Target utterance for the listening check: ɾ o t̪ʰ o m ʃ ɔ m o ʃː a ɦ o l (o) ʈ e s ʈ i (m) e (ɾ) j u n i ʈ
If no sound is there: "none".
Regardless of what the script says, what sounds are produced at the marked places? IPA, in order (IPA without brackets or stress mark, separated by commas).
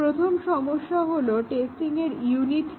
o, ŋ, ɾ